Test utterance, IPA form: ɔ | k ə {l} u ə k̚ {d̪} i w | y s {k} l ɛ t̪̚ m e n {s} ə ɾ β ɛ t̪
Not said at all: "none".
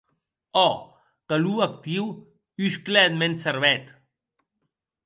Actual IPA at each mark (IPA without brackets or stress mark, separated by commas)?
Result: l, t̪, k, s